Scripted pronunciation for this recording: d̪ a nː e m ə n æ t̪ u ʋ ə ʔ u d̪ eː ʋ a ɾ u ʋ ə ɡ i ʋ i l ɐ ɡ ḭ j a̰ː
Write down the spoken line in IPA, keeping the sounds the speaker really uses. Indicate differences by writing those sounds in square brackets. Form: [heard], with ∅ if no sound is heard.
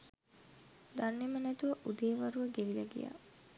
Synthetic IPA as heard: d̪ a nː e m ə n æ t̪ u ʋ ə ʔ u d̪ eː ʋ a ɾ u ʋ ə ɡ [e] ʋ i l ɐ ɡ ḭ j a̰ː